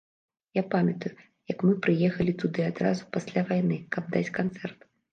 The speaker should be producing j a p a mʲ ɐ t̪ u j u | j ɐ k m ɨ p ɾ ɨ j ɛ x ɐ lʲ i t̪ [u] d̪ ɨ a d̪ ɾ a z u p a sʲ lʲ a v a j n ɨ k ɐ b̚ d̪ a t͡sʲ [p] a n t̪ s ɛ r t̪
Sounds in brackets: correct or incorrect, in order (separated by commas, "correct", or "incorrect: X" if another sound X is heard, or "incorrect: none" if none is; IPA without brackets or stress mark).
correct, incorrect: k